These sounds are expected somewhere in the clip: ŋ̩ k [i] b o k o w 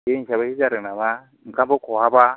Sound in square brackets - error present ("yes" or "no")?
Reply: yes